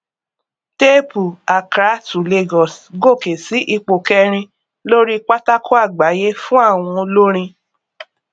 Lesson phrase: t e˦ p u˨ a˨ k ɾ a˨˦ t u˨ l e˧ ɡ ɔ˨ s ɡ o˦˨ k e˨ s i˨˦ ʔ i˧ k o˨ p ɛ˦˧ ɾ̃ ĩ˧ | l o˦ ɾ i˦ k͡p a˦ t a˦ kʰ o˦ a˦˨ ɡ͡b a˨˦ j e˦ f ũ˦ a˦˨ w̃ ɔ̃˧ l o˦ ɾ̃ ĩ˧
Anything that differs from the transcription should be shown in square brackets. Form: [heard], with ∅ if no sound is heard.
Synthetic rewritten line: t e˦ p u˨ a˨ k ɾ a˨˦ t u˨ l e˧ ɡ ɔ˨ s ɡ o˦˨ k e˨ s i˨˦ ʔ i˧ [k͡p] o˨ [k] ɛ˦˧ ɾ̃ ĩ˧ | l o˦ ɾ i˦ k͡p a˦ t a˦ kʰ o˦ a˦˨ ɡ͡b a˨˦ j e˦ f ũ˦ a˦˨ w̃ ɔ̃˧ l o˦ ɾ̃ ĩ˧